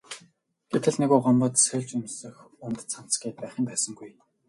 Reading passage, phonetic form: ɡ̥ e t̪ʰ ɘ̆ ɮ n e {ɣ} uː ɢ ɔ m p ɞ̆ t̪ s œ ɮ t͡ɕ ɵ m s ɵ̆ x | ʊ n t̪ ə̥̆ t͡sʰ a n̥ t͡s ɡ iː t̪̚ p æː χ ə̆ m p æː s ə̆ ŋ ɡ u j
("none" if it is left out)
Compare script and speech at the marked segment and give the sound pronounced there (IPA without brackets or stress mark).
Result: ɣ